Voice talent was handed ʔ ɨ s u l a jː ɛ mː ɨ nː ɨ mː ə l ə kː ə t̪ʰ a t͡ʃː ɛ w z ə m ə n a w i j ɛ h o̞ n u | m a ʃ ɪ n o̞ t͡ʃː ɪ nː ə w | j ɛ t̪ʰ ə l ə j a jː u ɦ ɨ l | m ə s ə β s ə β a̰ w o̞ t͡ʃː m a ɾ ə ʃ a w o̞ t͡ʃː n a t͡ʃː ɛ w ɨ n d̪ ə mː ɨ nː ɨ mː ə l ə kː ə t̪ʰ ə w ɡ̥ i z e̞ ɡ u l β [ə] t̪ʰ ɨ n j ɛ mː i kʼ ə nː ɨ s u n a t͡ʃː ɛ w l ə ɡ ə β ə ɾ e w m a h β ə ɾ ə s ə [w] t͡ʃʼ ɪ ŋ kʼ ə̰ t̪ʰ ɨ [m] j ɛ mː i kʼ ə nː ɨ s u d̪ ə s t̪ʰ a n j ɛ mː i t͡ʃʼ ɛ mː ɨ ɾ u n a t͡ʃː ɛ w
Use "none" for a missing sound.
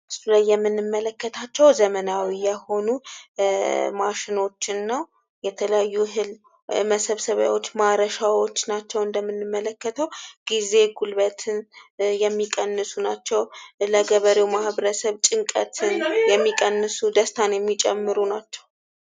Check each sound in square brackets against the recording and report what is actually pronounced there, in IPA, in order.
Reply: ə, β, n

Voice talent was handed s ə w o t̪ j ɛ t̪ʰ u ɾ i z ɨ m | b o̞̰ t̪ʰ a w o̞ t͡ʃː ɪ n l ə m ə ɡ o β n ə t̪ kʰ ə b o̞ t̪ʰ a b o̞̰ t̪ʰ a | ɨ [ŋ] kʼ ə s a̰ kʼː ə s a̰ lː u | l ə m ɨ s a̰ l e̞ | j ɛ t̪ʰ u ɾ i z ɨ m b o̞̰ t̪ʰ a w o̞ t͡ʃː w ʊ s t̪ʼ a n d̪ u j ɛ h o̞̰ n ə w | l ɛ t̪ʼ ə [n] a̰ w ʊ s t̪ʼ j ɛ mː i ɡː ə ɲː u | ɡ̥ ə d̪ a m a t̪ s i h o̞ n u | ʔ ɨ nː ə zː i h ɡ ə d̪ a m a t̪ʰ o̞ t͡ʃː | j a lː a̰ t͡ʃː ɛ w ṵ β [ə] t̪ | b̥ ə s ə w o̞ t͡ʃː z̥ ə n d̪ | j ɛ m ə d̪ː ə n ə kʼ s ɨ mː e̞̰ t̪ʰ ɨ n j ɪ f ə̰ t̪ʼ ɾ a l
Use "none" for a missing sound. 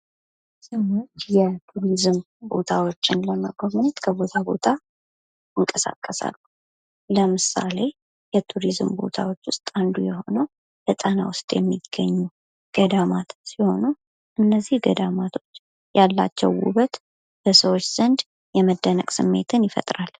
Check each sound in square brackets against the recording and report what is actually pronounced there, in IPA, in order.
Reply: ŋ, n, ə

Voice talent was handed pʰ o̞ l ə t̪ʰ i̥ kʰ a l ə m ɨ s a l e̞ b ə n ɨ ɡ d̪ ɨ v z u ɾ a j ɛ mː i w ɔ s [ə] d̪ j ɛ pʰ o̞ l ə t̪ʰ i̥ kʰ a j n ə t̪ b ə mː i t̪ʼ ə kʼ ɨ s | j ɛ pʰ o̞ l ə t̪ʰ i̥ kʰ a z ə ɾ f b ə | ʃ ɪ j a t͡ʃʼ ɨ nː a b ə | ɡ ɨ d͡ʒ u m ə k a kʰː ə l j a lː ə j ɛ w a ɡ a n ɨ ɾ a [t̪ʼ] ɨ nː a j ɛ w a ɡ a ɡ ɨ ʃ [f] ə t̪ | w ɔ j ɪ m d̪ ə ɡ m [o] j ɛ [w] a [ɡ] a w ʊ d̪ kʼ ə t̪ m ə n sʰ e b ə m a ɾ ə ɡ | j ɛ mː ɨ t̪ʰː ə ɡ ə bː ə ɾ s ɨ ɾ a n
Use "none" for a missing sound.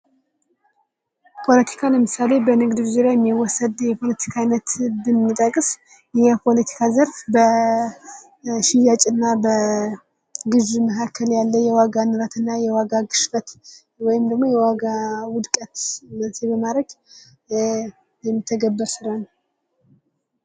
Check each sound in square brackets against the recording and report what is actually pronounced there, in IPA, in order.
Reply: ə, t̪, f, o, w, ɡ

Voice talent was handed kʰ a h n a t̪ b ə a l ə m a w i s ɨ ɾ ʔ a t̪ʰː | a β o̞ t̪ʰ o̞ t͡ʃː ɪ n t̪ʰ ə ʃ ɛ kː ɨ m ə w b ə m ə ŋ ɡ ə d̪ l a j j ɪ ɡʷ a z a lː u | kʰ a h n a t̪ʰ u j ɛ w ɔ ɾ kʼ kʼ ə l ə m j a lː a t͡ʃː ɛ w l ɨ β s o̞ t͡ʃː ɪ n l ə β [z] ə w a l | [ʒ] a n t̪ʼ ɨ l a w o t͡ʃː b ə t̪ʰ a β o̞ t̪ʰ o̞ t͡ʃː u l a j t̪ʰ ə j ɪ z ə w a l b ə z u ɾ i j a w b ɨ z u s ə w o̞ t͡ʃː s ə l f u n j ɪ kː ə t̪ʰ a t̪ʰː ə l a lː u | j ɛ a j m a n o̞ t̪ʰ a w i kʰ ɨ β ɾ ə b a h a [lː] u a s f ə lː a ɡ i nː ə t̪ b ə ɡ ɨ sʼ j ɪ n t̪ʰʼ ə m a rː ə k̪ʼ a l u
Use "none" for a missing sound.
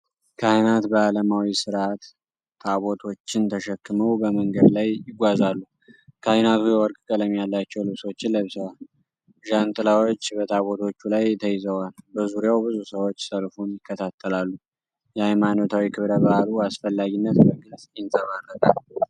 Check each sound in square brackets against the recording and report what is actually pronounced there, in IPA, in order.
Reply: s, ʒ, l

